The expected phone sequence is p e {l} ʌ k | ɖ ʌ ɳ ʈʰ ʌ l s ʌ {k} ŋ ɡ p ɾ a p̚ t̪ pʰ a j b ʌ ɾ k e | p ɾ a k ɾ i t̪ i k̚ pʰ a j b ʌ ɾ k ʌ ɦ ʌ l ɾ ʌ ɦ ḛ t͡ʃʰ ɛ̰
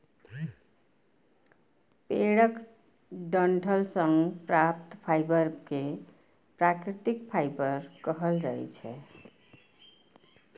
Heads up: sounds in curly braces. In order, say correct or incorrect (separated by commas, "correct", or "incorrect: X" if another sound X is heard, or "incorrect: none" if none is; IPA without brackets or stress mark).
incorrect: ɽ, incorrect: none